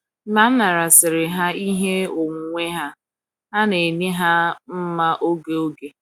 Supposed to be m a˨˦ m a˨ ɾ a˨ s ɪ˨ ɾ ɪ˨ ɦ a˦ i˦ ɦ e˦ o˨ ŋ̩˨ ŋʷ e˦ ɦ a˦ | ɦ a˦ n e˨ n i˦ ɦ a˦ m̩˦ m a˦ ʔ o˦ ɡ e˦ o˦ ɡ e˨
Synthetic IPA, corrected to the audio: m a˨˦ m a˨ ɾ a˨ s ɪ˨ ɾ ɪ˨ ɦ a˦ i˦ ɦ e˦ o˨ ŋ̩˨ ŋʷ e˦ ɦ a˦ | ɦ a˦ n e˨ n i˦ ɦ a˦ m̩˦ m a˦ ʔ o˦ ɡ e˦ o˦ ɡ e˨